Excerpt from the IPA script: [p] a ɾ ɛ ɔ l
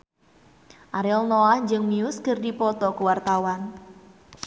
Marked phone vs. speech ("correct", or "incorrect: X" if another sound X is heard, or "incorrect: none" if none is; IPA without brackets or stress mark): incorrect: ʔ